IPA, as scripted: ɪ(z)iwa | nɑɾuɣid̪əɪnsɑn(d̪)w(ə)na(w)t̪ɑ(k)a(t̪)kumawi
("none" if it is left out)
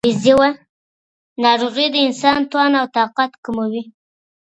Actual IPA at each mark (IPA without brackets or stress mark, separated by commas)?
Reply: z, t̪, ɑ, w, q, t̪